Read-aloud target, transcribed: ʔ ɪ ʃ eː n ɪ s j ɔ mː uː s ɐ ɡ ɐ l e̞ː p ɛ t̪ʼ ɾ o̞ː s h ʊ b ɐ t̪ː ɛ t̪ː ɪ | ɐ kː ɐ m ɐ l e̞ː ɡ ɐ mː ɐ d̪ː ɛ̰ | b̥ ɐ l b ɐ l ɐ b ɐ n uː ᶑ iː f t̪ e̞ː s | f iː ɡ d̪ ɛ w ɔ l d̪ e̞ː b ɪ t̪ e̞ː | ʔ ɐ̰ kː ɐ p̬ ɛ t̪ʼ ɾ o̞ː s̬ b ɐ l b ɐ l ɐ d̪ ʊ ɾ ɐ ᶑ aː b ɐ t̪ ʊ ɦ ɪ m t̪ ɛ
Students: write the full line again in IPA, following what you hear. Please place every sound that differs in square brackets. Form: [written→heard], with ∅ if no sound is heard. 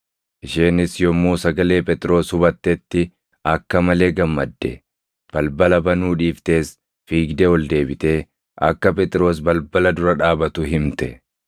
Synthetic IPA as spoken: ʔ ɪ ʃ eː n ɪ s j ɔ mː uː s ɐ ɡ ɐ l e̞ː p ɛ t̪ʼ ɾ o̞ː s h ʊ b ɐ t̪ː ɛ t̪ː ɪ | ɐ kː ɐ m ɐ l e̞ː ɡ ɐ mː ɐ d̪ː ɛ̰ | b̥ ɐ l b ɐ l ɐ b ɐ n uː ᶑ iː f t̪ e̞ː s | f iː ɡ d̪ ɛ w ɔ l d̪ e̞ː b ɪ t̪ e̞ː | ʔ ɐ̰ kː ɐ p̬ ɛ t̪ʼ ɾ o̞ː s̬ b ɐ l b ɐ l ɐ d̪ ʊ ɾ ɐ ᶑ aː b ɐ t̪ ʊ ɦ ɪ m t̪ ɛ